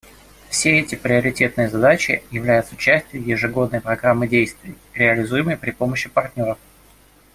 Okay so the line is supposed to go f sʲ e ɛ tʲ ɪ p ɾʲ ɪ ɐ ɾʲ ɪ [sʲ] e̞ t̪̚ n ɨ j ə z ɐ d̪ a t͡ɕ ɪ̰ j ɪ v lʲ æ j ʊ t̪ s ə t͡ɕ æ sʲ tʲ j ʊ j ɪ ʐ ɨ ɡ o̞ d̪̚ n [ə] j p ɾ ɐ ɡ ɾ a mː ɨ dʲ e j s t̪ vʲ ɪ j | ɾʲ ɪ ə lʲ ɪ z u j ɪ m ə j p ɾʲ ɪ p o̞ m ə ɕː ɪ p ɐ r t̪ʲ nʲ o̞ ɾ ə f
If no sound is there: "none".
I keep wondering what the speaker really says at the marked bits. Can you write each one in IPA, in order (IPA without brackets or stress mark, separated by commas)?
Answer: tʲ, ə